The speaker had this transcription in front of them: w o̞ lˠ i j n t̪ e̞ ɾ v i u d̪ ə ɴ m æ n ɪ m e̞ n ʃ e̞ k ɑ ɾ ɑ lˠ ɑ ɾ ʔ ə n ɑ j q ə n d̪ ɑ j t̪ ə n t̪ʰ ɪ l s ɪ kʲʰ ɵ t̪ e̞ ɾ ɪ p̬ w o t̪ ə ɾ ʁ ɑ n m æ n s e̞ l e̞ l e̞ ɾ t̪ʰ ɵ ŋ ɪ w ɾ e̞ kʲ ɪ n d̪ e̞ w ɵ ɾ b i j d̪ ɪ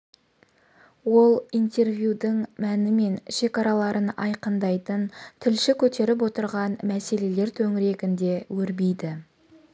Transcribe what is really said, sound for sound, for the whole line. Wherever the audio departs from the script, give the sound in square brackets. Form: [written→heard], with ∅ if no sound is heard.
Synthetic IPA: w o̞ lˠ i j n t̪ e̞ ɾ v [i→j] u d̪ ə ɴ m æ n ɪ m e̞ n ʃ e̞ k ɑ ɾ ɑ lˠ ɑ ɾ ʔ ə n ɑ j q ə n d̪ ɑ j t̪ ə n t̪ʰ ɪ l [s→ʃ] ɪ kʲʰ ɵ t̪ e̞ ɾ ɪ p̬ w o t̪ ə ɾ ʁ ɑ n m æ [n→∅] s e̞ l e̞ l e̞ ɾ t̪ʰ ɵ ŋ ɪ [w→∅] ɾ e̞ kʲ ɪ n d̪ e̞ w ɵ ɾ b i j d̪ ɪ